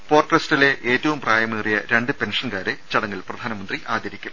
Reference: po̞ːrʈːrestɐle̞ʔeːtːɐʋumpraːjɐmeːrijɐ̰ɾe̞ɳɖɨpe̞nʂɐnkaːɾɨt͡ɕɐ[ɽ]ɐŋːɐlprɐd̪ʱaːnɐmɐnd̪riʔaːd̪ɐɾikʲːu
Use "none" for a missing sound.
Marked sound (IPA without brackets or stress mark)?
ɽ